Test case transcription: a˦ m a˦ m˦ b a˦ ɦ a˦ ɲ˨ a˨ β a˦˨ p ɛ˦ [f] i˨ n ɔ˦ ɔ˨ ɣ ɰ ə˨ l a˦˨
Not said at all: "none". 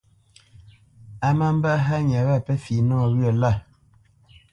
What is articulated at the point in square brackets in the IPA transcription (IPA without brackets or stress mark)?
f